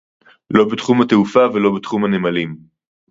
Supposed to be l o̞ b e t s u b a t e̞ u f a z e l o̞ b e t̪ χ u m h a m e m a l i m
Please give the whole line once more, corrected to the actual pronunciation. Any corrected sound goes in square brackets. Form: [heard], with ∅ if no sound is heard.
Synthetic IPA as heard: l o̞ b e t [χ] u [m] a t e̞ u f a [v] e l o̞ b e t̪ χ u m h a [n] e m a l i m